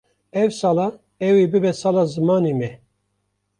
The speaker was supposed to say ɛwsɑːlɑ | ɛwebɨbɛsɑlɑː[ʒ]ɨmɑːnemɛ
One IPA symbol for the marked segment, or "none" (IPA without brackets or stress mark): z